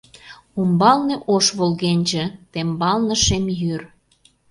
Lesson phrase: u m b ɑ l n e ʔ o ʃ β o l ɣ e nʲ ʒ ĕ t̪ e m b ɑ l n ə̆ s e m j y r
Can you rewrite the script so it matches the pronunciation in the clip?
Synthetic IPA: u m b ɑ l n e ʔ o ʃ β o l ɣ e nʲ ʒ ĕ t̪ e m b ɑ l n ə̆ ʃ e m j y r